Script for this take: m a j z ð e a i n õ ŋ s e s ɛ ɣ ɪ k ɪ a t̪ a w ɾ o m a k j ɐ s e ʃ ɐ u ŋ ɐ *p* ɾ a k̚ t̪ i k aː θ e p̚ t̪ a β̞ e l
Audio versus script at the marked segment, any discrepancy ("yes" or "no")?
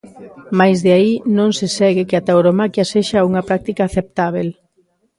no